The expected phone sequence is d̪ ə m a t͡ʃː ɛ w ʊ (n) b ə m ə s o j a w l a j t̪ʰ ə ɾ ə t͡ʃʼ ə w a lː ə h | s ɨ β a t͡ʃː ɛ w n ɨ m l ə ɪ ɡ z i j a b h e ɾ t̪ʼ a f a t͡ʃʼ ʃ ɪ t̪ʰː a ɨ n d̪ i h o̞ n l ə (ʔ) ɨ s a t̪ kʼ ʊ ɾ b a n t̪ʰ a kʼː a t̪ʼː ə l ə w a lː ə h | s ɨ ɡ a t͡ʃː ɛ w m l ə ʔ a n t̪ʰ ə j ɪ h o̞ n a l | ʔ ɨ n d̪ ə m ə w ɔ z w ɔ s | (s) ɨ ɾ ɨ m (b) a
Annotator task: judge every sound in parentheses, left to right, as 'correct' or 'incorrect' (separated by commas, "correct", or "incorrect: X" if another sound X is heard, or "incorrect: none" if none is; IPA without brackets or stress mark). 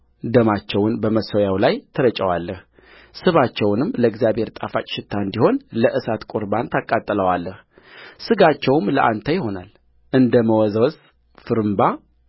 correct, correct, incorrect: f, correct